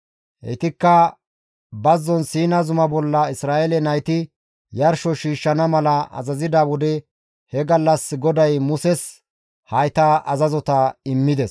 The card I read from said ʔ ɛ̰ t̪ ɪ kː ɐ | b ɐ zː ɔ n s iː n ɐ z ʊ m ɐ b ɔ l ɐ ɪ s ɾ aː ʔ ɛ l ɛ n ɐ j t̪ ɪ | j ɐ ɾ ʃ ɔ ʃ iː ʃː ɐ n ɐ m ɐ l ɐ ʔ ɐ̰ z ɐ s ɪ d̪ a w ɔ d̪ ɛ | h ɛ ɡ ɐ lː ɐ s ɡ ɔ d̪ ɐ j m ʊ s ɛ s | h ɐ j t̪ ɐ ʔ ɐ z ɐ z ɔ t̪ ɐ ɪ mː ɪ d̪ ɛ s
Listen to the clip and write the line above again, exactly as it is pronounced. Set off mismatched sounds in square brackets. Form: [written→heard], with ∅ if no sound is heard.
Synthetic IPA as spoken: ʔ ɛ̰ t̪ ɪ kː ɐ | b ɐ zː ɔ n s iː n ɐ z ʊ m ɐ b ɔ [l→lː] ɐ ɪ s ɾ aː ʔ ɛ l ɛ n ɐ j t̪ ɪ | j ɐ ɾ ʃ ɔ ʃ iː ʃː ɐ n ɐ m ɐ l ɐ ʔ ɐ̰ z ɐ [s→z] ɪ d̪ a w ɔ d̪ ɛ | h ɛ ɡ ɐ lː ɐ s ɡ ɔ d̪ ɐ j m ʊ s ɛ s | h ɐ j t̪ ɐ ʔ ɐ z ɐ z ɔ t̪ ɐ ɪ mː ɪ d̪ ɛ s